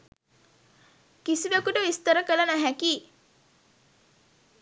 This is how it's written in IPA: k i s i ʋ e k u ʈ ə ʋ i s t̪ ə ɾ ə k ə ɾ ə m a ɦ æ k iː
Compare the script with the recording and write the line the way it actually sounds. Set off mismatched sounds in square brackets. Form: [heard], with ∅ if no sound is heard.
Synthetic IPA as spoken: k i s i ʋ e k u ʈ ə ʋ i s t̪ ə ɾ ə k ə [l] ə [n] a ɦ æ k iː